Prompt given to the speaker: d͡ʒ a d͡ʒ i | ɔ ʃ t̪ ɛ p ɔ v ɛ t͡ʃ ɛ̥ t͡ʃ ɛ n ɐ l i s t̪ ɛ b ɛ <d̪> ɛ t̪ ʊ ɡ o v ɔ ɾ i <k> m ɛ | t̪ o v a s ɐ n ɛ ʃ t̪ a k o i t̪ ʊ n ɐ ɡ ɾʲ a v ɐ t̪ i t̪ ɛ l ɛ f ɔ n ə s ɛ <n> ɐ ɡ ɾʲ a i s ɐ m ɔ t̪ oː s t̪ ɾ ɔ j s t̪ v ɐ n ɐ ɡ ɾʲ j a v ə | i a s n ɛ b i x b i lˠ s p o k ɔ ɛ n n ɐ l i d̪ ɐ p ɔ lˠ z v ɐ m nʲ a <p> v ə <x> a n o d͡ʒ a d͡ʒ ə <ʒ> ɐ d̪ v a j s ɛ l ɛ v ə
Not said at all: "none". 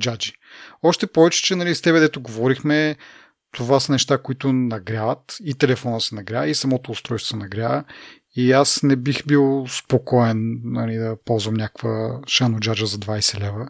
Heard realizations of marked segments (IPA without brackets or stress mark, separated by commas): d̪, x, n, k, ʃ, z